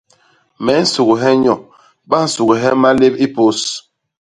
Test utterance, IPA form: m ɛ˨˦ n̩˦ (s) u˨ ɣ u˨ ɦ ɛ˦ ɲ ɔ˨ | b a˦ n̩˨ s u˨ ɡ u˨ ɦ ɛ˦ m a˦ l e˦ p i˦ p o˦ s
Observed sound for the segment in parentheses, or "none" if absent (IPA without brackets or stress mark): s